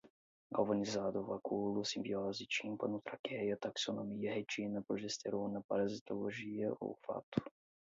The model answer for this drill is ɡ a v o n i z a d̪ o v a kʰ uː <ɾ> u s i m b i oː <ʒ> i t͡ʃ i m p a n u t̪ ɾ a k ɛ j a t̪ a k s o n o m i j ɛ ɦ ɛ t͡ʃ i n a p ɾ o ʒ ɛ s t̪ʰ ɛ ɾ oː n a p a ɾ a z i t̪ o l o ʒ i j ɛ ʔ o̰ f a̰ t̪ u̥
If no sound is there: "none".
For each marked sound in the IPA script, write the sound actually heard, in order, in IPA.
l, z

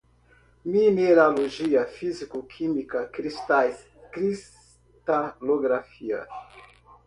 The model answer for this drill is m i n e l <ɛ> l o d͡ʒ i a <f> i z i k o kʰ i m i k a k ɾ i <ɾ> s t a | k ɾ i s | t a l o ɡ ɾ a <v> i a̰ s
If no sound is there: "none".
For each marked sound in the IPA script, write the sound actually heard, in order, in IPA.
a, f, none, f

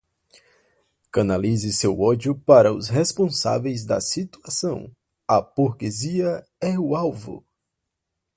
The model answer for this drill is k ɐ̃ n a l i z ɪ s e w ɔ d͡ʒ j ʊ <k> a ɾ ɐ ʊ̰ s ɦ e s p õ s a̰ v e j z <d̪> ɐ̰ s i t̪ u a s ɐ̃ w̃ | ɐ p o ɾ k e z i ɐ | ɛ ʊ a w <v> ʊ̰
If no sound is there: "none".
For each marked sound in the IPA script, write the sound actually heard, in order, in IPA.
p, d̪, v

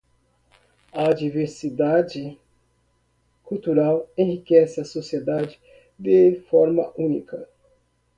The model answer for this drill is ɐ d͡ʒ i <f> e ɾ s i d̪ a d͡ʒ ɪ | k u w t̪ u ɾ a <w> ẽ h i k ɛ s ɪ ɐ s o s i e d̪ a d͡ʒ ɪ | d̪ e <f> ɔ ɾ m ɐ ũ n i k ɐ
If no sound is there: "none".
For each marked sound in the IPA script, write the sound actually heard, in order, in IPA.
v, w, f

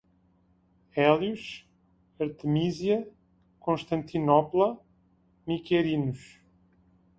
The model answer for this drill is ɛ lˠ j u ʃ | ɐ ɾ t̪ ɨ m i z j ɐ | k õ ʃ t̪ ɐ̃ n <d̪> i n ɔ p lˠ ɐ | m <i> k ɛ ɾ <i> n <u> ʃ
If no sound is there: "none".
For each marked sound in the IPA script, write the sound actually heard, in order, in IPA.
t̪, i, i, u

